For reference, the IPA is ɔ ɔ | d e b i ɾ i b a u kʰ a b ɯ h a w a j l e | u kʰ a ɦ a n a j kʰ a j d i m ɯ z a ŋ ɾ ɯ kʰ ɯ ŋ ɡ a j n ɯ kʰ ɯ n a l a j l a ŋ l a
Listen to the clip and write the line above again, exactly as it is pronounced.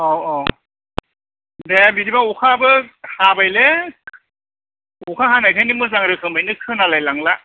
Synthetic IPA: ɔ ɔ | d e b i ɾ i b a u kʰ a b ɯ h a b a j l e | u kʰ a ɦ a n a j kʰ a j n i m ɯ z a ŋ ɾ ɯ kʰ ɯ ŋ b a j n ɯ kʰ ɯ n a l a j l a ŋ l a